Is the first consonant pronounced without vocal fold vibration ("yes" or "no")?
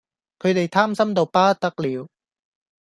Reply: yes